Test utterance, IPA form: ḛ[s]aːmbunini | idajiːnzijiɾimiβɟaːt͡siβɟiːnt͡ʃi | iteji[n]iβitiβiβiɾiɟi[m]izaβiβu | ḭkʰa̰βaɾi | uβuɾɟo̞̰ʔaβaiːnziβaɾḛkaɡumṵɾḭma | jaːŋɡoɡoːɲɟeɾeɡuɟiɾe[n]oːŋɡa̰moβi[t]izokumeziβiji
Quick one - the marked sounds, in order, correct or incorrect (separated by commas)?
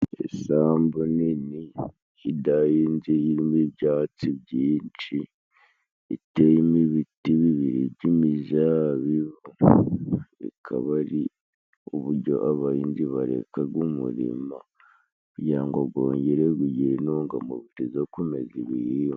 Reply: correct, incorrect, correct, correct, correct